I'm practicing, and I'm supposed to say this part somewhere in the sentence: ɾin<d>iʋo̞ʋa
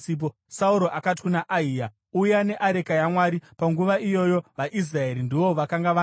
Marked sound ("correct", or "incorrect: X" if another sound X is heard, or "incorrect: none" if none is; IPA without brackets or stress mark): correct